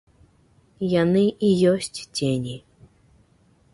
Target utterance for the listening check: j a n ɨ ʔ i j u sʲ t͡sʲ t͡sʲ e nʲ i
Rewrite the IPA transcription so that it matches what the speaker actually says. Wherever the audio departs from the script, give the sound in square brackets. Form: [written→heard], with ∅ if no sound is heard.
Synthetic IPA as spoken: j a n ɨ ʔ i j [u→ɔ] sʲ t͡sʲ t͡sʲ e nʲ i

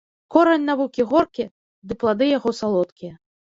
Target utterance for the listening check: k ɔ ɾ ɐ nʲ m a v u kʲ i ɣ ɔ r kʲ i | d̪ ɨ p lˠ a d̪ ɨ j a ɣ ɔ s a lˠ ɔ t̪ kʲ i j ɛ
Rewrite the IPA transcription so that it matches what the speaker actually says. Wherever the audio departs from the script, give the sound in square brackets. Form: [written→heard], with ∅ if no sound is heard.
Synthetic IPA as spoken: k ɔ ɾ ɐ nʲ [m→n] a v u kʲ i ɣ ɔ r kʲ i | d̪ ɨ p lˠ a d̪ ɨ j a ɣ ɔ s a lˠ ɔ t̪ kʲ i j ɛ

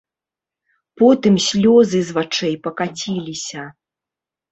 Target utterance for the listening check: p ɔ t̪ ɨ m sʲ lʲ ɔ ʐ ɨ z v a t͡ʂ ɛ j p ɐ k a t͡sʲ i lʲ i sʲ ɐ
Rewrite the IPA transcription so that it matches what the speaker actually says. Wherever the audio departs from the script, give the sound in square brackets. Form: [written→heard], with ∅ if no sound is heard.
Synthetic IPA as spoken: p ɔ t̪ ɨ m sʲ lʲ ɔ [ʐ→z] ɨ z v a t͡ʂ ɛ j p ɐ k a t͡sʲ i lʲ i sʲ ɐ

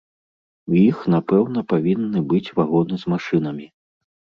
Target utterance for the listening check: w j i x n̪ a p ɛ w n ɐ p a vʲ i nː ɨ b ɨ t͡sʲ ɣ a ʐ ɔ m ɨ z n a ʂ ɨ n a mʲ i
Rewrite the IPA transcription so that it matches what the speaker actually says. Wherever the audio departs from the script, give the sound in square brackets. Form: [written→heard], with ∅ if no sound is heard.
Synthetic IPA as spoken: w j i x n̪ a p ɛ w n ɐ p a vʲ i nː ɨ b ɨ t͡sʲ [ɣ→v] a [ʐ→ɣ] ɔ [m→n] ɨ z [n→m] a ʂ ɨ n [a→ɐ] mʲ i

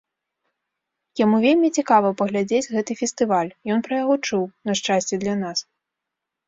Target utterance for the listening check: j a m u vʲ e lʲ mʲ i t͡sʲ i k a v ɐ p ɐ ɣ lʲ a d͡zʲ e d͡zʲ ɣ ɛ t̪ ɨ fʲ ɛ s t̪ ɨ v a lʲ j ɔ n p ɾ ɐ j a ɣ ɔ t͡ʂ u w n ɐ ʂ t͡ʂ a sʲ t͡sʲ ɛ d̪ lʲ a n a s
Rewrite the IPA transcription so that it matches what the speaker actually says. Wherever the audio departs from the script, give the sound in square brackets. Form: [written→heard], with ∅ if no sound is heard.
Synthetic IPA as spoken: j a m u vʲ e lʲ mʲ i t͡sʲ i k a v ɐ p ɐ ɣ lʲ a d͡zʲ e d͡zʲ ɣ ɛ t̪ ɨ fʲ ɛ s t̪ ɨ v a lʲ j ɔ n p ɾ ɐ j a ɣ ɔ t͡ʂ u w n ɐ ʂ t͡ʂ a sʲ t͡sʲ ɛ d̪ lʲ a n a s

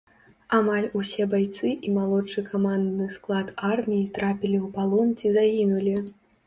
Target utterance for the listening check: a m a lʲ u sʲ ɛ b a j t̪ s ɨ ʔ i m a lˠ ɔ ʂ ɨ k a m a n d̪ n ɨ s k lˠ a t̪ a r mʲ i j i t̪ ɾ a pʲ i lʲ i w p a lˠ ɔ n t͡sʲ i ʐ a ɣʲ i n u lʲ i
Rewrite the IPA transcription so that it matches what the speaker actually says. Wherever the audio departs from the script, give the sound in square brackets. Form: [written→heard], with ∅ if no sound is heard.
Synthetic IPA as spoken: a m a lʲ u sʲ ɛ b a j t̪ s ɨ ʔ i m a lˠ ɔ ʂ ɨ k a m a n d̪ n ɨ s k lˠ a t̪ a r mʲ i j i t̪ ɾ a pʲ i lʲ i w p a lˠ ɔ n t͡sʲ i [ʐ→z] a ɣʲ i n u lʲ i

